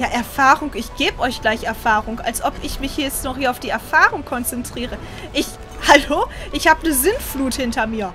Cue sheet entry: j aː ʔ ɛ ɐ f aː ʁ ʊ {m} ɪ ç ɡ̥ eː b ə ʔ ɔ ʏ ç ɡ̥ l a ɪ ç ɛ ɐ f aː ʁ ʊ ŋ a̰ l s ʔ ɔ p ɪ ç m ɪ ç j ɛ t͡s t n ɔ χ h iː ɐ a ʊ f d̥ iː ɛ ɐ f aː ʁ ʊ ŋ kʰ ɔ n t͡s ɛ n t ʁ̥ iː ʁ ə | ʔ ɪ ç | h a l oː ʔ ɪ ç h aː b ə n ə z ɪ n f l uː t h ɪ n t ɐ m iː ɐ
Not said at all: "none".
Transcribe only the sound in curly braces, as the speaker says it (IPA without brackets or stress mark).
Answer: ŋ